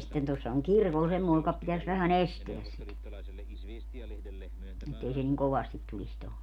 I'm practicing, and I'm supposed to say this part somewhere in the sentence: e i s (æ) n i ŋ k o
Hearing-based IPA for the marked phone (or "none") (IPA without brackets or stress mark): e